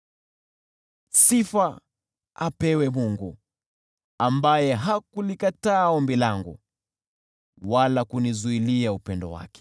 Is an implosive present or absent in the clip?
absent